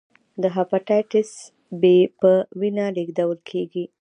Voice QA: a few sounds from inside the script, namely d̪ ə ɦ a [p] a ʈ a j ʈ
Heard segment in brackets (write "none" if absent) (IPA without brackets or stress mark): p